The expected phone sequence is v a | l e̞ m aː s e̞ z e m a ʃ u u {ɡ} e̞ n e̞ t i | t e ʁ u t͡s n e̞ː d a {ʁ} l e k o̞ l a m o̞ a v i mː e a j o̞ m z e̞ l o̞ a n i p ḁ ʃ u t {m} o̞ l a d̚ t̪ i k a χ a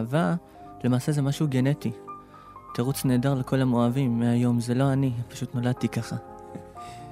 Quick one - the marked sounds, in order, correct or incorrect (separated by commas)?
correct, correct, incorrect